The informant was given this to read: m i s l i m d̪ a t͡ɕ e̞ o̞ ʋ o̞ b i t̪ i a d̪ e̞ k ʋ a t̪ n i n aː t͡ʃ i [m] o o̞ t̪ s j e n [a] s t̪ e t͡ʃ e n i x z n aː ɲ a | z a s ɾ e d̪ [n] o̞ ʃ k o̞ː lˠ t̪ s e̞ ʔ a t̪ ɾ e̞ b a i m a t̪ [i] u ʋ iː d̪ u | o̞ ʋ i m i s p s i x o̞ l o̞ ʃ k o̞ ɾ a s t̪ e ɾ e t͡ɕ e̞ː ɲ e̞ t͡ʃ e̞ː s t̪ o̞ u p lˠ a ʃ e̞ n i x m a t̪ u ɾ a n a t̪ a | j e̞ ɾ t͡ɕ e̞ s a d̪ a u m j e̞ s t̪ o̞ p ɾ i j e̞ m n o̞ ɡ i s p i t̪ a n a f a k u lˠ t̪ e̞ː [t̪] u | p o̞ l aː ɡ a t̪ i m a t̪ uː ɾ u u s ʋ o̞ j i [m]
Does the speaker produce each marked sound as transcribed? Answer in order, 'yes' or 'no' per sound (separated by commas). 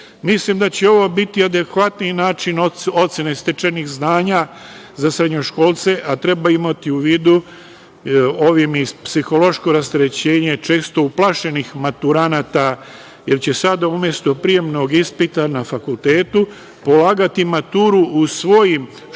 no, no, no, yes, yes, yes